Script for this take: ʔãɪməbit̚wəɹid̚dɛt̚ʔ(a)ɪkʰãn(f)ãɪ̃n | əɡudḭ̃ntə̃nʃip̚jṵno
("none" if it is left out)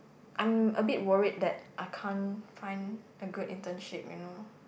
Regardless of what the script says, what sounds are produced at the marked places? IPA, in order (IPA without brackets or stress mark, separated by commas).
a, f